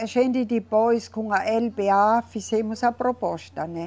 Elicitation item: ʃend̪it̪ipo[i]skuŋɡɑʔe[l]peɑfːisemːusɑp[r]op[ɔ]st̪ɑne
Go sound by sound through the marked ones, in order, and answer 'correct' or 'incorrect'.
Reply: correct, correct, correct, incorrect: o

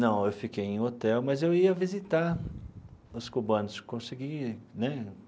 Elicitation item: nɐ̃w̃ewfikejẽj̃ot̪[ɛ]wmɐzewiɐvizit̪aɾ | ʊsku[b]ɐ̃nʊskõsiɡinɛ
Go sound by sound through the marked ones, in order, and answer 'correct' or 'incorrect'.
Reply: correct, correct

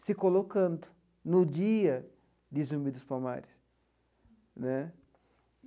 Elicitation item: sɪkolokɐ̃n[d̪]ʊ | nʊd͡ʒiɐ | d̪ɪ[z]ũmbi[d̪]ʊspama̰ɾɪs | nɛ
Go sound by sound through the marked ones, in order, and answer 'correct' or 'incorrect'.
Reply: correct, correct, correct

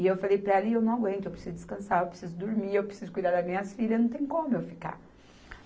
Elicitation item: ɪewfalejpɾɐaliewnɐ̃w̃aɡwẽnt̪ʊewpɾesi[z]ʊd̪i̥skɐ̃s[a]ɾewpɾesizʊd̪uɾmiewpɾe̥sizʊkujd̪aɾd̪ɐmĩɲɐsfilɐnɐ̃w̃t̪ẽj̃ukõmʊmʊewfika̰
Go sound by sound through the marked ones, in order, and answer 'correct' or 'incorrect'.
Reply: correct, correct

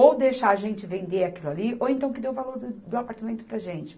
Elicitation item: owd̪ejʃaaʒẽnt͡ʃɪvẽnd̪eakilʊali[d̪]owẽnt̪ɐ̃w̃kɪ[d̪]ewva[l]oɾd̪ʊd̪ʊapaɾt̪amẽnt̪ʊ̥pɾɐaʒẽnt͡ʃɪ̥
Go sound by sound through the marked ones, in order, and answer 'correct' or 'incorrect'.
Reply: incorrect: none, correct, correct

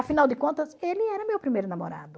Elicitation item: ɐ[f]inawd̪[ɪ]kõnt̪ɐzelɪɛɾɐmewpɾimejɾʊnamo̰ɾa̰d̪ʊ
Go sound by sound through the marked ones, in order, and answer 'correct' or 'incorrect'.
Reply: correct, correct

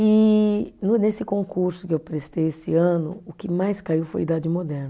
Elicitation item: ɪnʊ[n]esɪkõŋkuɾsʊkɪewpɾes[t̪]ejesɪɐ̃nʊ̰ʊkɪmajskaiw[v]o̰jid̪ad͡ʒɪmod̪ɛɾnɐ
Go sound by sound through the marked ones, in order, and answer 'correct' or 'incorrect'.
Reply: correct, correct, incorrect: f

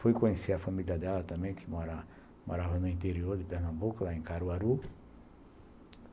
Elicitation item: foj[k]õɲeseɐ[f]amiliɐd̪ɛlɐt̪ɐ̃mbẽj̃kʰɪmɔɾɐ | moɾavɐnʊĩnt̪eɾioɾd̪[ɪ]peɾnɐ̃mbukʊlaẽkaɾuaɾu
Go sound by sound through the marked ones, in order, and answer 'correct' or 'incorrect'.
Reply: correct, correct, correct

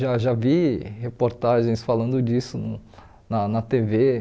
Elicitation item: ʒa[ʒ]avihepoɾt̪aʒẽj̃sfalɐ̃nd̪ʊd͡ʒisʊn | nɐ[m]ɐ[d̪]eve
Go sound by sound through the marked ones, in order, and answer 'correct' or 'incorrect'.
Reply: correct, incorrect: n, incorrect: t̪

